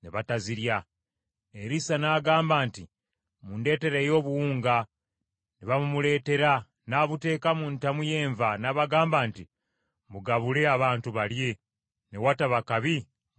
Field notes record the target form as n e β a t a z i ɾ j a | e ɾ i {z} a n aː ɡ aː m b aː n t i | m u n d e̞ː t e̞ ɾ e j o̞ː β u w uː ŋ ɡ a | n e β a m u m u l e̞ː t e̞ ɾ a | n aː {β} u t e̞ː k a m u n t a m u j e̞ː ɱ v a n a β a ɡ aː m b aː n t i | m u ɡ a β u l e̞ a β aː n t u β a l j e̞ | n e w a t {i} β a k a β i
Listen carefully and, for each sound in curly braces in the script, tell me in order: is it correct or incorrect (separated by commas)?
incorrect, correct, incorrect